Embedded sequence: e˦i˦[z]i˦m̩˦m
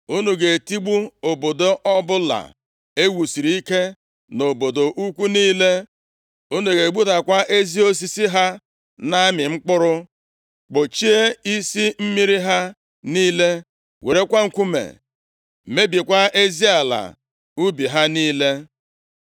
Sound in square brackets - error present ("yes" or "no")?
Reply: yes